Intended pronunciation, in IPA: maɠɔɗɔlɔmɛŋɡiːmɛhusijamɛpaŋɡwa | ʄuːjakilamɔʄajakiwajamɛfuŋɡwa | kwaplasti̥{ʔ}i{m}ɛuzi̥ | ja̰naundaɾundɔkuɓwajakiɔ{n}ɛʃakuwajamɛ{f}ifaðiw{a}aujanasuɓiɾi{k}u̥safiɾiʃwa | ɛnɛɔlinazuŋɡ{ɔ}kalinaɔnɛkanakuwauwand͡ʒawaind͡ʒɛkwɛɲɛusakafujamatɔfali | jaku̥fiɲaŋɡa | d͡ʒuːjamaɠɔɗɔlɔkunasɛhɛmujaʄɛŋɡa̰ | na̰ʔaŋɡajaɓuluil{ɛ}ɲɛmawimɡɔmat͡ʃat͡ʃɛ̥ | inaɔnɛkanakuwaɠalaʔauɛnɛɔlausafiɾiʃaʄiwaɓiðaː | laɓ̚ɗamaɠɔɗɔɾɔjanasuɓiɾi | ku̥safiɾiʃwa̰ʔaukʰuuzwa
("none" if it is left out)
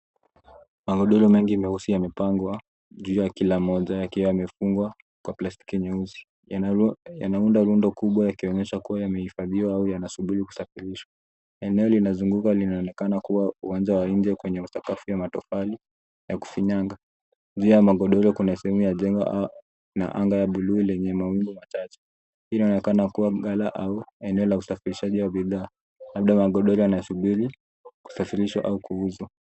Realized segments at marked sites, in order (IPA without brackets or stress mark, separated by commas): k, ɲ, ɲ, h, a, k, u, ɛ